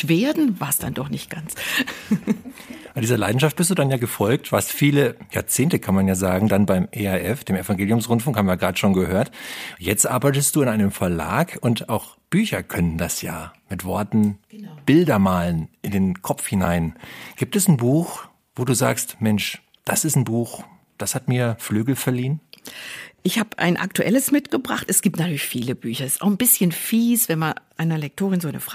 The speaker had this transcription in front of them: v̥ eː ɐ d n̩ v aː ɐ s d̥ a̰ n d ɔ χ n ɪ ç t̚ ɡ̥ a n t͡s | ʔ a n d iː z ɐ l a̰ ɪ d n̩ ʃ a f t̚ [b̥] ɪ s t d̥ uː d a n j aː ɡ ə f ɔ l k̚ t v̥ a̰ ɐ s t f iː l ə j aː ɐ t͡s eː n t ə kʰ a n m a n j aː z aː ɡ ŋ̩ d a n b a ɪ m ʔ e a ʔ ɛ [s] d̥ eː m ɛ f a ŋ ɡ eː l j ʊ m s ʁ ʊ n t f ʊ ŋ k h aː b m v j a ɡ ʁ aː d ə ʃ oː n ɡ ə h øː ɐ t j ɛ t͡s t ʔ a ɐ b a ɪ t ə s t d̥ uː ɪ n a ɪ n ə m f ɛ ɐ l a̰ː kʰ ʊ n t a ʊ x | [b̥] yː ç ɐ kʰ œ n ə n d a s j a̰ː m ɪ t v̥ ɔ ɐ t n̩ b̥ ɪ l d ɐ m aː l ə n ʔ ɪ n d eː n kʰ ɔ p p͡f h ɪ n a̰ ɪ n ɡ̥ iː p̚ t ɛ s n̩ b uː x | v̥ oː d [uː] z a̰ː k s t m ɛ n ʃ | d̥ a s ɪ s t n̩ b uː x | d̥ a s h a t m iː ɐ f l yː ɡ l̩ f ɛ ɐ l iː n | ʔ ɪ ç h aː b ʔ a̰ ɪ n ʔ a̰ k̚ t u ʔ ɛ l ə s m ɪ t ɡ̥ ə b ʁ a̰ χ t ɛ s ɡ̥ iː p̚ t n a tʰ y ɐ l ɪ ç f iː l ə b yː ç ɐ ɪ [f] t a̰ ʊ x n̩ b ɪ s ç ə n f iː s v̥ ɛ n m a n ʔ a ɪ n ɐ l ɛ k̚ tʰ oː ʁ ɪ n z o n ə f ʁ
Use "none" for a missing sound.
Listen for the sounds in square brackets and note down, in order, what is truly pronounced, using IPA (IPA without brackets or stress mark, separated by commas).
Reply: b̥, f, b̥, uː, s